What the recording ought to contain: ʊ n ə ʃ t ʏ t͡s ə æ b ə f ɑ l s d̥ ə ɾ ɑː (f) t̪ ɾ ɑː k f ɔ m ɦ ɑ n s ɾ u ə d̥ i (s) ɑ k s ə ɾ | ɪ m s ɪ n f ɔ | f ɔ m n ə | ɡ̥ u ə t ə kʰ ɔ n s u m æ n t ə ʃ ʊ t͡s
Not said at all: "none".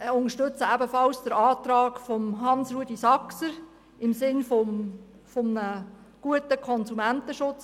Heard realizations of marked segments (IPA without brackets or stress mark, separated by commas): none, s